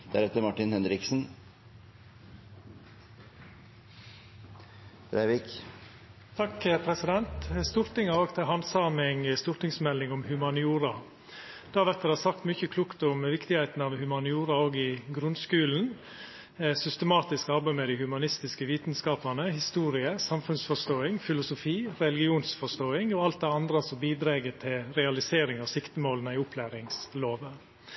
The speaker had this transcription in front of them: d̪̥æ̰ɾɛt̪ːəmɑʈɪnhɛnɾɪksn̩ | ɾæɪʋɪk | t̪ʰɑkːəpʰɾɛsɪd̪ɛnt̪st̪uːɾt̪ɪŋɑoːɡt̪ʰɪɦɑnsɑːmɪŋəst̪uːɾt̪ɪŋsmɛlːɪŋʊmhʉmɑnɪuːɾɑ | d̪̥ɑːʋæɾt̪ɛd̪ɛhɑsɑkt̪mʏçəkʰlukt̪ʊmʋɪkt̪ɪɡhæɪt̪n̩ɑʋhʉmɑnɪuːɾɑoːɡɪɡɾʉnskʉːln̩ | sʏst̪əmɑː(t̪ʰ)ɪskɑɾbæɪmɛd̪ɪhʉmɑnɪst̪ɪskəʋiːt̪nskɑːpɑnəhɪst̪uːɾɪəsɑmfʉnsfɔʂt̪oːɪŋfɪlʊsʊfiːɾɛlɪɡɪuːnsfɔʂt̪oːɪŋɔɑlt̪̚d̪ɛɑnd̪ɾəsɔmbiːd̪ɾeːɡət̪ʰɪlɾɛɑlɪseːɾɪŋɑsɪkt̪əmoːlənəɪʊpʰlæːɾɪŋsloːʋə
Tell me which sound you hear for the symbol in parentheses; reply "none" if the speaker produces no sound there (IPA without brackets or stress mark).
t̪